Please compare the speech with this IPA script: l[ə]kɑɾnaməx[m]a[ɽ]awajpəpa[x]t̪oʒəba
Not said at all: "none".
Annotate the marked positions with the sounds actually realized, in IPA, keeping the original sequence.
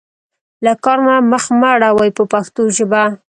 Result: a, m, ɽ, x

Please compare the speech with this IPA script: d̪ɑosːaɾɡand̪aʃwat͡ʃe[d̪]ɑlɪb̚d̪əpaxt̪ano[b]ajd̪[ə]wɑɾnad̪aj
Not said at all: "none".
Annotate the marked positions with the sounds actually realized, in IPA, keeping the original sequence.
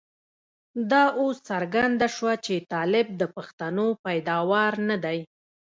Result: t̪, p, ɑ

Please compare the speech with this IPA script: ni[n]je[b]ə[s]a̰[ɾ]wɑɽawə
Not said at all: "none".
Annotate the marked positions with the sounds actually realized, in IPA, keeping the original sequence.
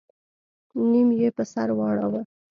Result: m, p, s, ɾ

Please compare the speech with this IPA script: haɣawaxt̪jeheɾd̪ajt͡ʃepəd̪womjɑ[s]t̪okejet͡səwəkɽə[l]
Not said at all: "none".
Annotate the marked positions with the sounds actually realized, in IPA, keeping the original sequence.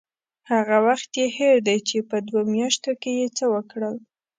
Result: ʃ, l

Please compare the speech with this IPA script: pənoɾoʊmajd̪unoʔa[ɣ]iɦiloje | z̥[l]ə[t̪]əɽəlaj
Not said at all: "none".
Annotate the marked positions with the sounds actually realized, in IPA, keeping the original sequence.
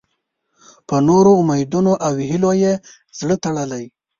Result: w, ɽ, t̪

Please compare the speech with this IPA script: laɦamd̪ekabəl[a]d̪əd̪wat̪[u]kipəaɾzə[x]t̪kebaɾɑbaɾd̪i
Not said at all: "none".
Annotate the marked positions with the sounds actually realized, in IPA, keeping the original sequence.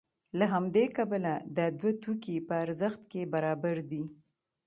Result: a, u, x

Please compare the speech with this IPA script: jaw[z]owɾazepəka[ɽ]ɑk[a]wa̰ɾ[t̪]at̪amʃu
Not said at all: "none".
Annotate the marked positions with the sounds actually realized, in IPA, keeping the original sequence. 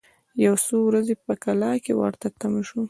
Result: s, l, e, t̪

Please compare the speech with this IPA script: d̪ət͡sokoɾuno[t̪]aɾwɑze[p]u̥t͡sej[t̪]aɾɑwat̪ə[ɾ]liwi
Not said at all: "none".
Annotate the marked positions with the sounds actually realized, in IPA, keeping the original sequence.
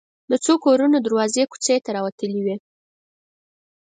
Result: d̪, k, t̪, none

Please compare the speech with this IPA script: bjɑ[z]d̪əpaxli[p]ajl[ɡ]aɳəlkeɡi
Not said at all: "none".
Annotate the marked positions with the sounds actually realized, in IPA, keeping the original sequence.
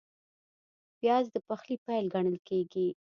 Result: z, p, ɡ

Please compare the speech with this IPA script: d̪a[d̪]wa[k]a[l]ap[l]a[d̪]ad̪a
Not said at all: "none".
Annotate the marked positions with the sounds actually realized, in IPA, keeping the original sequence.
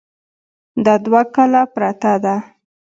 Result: d̪, k, l, ɾ, t̪

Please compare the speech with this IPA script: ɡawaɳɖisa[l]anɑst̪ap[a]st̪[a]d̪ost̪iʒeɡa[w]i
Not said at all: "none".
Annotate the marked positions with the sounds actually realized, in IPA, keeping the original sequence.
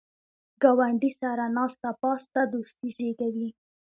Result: ɾ, ɑ, a, w

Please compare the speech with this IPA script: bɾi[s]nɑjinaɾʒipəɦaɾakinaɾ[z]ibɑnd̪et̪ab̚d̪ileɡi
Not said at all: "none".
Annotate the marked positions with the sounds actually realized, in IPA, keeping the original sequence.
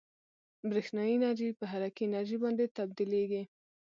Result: x, ʒ

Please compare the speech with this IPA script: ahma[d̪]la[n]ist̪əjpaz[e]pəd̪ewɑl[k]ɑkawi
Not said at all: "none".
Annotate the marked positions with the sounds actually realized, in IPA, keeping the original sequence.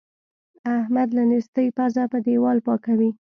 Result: d̪, n, a, p

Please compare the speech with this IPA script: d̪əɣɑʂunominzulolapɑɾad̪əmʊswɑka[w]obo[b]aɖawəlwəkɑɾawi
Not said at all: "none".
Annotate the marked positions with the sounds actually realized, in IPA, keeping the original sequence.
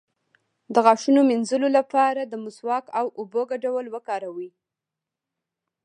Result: w, ɡ

